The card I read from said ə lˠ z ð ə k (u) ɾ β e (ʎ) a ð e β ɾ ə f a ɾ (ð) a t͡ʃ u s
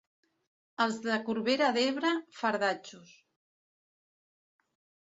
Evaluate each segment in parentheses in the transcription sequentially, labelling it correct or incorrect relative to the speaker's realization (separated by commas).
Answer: correct, incorrect, correct